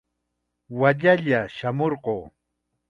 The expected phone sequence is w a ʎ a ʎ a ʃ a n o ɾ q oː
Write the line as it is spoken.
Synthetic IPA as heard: w a ʎ a ʎ a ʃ a m o ɾ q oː